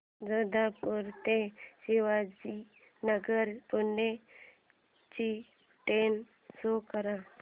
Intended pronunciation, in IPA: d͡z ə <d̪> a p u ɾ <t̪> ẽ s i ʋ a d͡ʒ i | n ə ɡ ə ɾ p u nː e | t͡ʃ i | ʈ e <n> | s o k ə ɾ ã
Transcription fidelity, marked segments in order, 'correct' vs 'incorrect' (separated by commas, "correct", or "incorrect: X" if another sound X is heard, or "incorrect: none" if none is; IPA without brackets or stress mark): correct, correct, correct